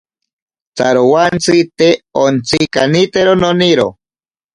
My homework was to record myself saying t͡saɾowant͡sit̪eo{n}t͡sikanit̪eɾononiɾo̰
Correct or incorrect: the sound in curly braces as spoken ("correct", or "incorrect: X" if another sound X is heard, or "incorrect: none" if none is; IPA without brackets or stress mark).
correct